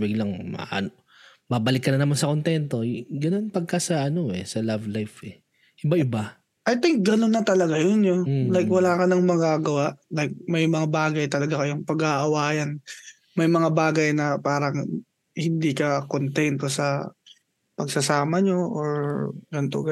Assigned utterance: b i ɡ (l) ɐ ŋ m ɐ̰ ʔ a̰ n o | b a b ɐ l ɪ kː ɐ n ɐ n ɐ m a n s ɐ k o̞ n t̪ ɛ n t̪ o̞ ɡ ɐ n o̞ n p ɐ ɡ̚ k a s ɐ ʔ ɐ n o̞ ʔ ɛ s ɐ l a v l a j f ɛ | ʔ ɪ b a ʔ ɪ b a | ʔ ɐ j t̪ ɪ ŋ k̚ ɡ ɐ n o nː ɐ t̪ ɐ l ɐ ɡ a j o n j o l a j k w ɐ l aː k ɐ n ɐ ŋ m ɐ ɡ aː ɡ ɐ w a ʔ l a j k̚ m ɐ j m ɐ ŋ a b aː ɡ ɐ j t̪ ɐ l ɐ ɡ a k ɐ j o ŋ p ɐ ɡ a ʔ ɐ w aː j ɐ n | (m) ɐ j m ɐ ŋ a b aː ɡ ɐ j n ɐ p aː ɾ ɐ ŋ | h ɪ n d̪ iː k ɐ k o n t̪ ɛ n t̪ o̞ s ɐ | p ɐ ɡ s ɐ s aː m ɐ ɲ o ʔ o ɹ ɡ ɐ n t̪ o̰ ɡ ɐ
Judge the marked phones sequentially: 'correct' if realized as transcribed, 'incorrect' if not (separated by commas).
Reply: correct, correct